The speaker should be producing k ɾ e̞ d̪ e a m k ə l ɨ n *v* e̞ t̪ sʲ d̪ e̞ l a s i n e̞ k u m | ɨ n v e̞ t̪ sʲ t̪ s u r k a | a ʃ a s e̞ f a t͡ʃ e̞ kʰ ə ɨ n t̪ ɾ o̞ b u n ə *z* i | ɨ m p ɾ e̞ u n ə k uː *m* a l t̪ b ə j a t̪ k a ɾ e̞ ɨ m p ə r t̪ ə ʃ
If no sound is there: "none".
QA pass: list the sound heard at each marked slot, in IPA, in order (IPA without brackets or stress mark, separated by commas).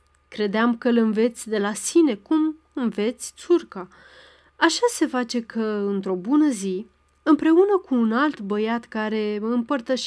v, z, n